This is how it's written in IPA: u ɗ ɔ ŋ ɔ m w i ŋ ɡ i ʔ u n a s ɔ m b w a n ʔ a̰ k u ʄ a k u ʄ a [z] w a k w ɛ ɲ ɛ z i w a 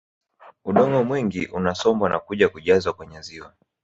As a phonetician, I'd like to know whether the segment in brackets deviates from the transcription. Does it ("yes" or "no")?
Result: no